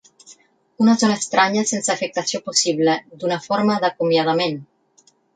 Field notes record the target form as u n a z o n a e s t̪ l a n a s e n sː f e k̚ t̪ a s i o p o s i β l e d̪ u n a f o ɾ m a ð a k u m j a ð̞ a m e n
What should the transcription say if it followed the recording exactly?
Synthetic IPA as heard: u n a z o n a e s t̪ ɾ a ɲ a s e n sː f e k̚ t̪ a s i o p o s i β l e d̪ u n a f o ɾ m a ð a k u m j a ð̞ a m e n